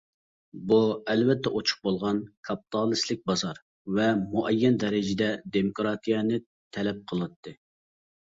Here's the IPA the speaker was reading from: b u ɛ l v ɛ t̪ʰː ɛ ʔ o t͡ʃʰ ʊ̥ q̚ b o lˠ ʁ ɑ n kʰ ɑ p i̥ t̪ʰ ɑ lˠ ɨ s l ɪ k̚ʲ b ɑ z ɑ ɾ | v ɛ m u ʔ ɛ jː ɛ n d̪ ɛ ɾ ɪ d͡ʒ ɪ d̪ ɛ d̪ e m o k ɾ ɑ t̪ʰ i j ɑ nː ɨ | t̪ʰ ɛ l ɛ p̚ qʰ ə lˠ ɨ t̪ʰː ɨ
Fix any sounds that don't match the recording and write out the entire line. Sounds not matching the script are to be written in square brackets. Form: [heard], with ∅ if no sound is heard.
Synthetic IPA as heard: b u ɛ l v ɛ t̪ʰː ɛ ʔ o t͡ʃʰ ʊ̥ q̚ b o lˠ ʁ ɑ n kʰ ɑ p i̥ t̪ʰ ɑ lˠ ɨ s l ɪ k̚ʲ b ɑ z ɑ ɾ | v ɛ m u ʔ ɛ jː ɛ n d̪ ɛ ɾ ɪ d͡ʒ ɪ d̪ ɛ d̪ e m o k ɾ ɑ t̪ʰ i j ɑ [n] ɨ | t̪ʰ ɛ l ɛ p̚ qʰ ə lˠ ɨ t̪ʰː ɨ